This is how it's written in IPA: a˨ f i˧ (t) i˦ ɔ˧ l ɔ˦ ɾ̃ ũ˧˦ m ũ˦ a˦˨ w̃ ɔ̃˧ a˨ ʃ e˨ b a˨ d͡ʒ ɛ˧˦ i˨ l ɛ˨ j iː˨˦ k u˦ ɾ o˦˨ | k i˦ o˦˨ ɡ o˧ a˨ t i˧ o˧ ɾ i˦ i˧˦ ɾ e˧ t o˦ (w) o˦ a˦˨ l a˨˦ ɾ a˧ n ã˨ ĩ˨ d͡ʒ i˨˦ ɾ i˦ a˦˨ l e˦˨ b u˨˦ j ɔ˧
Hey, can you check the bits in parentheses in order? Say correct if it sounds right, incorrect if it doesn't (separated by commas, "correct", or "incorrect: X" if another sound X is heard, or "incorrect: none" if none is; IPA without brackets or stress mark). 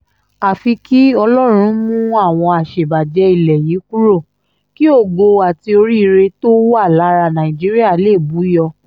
incorrect: k, correct